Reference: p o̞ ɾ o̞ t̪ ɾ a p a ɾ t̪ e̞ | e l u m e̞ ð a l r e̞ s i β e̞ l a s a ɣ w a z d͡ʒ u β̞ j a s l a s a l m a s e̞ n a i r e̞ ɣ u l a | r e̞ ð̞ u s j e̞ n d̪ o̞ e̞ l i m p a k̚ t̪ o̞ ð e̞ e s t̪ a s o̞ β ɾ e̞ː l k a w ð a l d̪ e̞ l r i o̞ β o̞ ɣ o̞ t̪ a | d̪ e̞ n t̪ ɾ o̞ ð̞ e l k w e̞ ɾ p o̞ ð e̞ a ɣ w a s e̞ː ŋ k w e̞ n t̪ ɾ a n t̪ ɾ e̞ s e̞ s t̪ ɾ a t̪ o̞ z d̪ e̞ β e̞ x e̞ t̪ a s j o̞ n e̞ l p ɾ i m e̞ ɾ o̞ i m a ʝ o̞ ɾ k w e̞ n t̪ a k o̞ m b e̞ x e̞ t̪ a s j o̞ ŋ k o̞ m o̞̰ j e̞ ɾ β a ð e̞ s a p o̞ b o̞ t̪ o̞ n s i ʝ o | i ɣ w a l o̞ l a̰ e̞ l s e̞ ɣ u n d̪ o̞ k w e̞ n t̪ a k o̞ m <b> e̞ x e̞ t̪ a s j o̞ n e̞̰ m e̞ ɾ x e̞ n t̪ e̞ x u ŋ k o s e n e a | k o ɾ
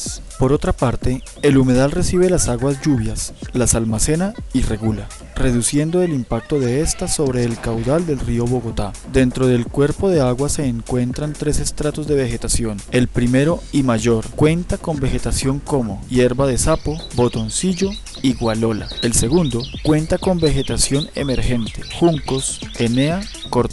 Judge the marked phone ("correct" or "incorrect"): correct